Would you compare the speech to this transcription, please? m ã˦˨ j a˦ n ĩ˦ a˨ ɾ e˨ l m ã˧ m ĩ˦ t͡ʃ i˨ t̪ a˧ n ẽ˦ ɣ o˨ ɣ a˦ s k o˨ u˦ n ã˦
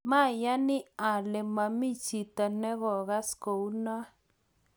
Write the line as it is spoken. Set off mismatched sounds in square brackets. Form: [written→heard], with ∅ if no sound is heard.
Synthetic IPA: m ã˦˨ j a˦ n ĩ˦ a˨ [ɾ→l] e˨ [l→∅] m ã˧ m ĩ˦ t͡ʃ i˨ t̪ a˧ n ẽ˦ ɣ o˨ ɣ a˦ s k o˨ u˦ n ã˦